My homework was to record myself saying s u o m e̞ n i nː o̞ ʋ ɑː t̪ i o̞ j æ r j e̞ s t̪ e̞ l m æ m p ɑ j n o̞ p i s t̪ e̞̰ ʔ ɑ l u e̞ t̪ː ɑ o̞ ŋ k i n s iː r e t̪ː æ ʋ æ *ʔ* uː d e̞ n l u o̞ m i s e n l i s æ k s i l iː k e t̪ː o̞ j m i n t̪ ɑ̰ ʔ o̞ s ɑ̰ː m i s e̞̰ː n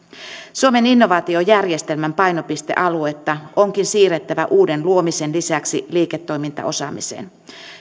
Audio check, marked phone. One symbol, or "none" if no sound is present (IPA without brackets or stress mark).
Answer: ʔ